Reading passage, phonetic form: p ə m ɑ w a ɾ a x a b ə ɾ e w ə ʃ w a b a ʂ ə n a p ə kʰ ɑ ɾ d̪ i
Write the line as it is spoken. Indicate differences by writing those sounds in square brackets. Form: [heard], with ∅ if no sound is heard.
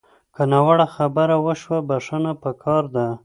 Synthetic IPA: [k] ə [n] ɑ w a [ɽ] a x a b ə ɾ [a] w ə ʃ w a b a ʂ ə n a p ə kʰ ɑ ɾ d̪ [a]